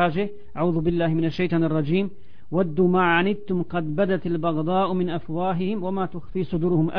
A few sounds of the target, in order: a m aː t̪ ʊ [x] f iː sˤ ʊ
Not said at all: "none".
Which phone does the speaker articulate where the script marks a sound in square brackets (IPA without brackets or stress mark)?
x